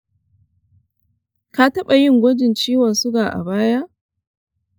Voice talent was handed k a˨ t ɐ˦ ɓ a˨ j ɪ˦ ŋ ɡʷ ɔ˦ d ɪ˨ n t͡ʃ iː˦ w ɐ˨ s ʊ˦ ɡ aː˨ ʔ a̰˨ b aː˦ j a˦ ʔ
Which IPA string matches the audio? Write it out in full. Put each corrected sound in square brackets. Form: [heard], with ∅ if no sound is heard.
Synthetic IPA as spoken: k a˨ t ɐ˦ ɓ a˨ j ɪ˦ ŋ ɡʷ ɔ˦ [d͡ʒ] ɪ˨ n t͡ʃ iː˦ w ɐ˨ s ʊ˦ ɡ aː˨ ʔ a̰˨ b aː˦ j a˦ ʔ

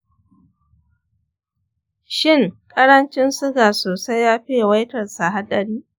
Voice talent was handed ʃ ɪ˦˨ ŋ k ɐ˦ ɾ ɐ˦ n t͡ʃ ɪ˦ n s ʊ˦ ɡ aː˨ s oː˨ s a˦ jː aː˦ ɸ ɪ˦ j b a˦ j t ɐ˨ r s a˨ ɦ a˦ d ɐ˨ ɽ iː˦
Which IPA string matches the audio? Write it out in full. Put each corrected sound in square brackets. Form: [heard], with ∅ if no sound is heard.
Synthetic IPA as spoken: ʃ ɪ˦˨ ŋ [kʼ] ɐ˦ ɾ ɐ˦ n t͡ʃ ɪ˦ n s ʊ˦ ɡ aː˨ s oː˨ s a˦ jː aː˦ ɸ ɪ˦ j [w] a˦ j t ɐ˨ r s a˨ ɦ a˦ d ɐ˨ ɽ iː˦

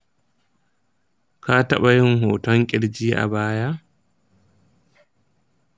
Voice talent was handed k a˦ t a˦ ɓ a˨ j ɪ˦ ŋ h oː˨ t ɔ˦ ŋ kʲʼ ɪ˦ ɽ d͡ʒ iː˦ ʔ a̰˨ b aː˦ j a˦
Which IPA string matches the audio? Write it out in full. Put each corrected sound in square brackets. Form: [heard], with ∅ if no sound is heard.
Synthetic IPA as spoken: k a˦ t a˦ ɓ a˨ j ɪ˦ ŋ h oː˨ t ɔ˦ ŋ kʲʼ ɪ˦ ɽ d͡ʒ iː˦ ʔ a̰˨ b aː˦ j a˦

